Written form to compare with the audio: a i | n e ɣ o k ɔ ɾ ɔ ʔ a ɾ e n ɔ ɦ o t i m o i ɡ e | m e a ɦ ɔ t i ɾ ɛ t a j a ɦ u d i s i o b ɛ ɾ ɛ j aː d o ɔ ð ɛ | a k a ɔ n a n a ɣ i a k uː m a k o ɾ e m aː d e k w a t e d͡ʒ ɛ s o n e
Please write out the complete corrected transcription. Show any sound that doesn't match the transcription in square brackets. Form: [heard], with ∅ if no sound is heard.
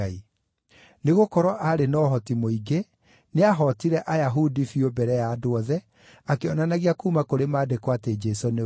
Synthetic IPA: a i | n e ɣ o k ɔ ɾ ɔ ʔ a ɾ e n ɔ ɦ [ɔ] t i m o i ɡ e | [n] e a ɦ ɔ t i ɾ ɛ [ʔ] a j a ɦ u d i [f] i o b ɛ ɾ ɛ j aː d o ɔ ð ɛ | a k [e] ɔ n a n a ɣ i a k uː m a k o ɾ e m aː d e k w a t e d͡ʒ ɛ s o n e